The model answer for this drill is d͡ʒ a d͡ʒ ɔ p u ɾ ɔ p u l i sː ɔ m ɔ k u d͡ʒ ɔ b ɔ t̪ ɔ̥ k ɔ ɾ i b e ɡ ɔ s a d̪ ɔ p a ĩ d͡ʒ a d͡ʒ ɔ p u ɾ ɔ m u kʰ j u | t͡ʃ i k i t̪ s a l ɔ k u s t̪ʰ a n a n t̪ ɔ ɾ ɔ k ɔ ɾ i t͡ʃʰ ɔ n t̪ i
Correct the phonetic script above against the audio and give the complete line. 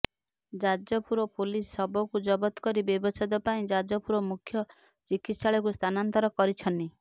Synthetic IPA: d͡ʒ a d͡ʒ ɔ p u ɾ ɔ p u l i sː ɔ b ɔ k u d͡ʒ ɔ b ɔ t̪ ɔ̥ k ɔ ɾ i b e b ɔ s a d̪ ɔ p a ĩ d͡ʒ a d͡ʒ ɔ p u ɾ ɔ m u kʰ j ɔ | t͡ʃ i k i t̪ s a ɭ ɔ k u s t̪ʰ a n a n t̪ ɔ ɾ ɔ k ɔ ɾ i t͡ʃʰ ɔ n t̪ i